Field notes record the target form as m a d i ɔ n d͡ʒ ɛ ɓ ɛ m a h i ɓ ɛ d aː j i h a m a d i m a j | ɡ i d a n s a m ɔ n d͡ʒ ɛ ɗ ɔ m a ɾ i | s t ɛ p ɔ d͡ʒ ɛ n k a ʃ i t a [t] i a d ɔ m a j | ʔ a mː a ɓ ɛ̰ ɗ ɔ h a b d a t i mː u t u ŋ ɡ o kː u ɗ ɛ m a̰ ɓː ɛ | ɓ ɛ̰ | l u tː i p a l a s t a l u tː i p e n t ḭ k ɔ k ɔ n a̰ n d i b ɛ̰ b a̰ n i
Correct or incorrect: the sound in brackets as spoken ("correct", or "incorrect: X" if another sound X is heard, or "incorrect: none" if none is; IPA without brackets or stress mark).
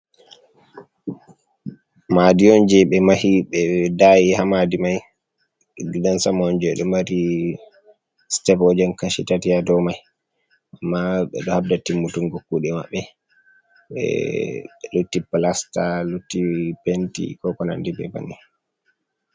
correct